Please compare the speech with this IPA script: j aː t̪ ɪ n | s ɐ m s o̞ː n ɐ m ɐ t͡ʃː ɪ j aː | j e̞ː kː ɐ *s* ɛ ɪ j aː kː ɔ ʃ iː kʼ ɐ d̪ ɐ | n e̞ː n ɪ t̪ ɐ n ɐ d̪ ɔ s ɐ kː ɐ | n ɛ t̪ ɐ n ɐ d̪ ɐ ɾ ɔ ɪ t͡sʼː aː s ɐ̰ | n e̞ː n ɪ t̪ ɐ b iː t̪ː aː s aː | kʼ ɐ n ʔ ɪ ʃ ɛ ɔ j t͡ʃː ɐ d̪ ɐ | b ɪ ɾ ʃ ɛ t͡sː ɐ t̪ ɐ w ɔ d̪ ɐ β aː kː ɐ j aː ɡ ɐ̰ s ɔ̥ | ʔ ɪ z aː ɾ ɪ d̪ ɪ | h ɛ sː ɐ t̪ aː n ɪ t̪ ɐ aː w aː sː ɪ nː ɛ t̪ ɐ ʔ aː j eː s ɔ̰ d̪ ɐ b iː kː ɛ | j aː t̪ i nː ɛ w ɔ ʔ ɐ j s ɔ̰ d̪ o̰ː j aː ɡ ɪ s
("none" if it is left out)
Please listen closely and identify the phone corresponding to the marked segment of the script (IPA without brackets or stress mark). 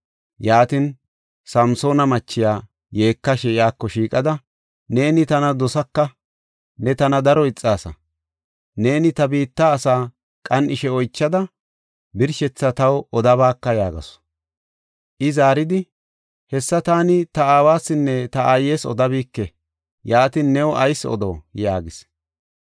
ʃ